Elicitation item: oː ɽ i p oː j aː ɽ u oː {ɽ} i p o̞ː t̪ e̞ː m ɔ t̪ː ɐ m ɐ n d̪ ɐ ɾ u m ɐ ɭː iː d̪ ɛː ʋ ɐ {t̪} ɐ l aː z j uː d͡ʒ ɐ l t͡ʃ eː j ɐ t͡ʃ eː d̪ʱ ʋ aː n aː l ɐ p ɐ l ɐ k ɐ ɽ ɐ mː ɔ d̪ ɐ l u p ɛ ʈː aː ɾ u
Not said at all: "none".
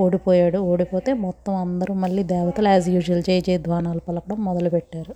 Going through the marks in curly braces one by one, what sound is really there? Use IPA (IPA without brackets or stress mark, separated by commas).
ɽ, t̪